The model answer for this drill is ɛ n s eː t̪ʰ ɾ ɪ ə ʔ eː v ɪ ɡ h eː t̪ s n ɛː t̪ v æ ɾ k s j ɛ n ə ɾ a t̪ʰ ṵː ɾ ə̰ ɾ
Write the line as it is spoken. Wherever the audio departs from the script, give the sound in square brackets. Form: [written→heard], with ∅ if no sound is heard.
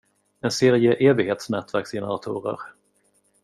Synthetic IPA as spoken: ɛ n s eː [t̪ʰ→∅] ɾ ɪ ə ʔ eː v ɪ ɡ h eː t̪ s n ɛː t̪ v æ ɾ k s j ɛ n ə ɾ a t̪ʰ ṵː ɾ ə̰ ɾ